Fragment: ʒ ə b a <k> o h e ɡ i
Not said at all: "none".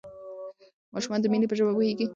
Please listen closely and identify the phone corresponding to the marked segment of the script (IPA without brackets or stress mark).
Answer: p